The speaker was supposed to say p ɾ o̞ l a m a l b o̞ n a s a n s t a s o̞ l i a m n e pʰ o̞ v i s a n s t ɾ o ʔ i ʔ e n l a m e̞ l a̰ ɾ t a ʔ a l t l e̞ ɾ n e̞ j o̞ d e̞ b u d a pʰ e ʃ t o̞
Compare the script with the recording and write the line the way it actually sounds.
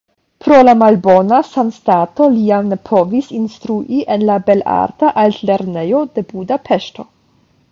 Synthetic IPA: p ɾ o̞ l a m a l b o̞ n a s a n s t a t o̞ l i a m n e pʰ o̞ v i s i n s t ɾ u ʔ i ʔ e n l a b e̞ l a̰ ɾ t a ʔ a l t l e̞ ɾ n e̞ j o̞ d e̞ b u d a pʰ e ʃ t o̞